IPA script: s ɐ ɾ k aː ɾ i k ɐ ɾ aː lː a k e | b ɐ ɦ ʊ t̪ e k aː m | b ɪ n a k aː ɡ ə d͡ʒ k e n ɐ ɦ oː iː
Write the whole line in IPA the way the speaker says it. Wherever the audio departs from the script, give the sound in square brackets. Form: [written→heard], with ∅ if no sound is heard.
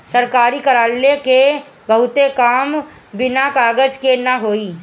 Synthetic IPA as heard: s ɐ ɾ k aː ɾ i k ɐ ɾ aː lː [a→e] k e | b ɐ ɦ ʊ t̪ e k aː m | b ɪ n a k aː ɡ ə d͡ʒ k e n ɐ ɦ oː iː